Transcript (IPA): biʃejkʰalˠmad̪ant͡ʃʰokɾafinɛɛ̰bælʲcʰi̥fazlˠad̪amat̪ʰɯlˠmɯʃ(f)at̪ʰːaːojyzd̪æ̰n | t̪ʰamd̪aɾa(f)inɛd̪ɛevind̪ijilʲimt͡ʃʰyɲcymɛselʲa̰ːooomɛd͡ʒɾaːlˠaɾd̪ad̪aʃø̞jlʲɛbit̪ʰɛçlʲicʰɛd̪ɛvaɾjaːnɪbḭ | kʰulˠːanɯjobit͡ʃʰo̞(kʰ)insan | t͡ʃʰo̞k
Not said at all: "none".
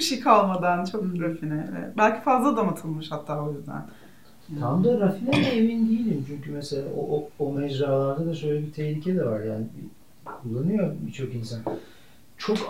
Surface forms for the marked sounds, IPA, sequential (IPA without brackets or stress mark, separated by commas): h, f, k